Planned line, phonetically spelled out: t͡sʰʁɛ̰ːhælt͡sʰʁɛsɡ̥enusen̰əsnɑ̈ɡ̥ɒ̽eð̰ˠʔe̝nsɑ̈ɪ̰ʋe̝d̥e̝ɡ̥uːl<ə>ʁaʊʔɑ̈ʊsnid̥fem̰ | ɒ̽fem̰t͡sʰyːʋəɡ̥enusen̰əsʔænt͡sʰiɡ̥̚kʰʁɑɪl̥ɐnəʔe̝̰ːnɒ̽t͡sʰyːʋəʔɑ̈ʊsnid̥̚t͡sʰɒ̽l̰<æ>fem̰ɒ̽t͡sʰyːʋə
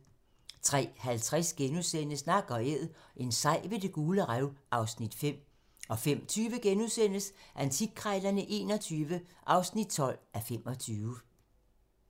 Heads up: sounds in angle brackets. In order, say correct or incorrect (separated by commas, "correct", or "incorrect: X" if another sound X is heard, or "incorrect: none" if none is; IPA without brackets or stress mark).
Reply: correct, correct